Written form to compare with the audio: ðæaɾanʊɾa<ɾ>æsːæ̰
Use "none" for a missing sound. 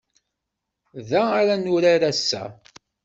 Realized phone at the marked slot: ɾ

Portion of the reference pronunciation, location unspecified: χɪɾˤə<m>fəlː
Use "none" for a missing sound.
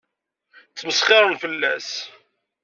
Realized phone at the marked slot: n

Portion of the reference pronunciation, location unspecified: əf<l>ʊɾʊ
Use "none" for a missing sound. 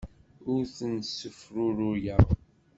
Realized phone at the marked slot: ɾ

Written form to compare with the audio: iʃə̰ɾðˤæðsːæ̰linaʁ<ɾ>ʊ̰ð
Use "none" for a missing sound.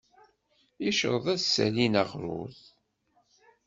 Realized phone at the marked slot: ɾ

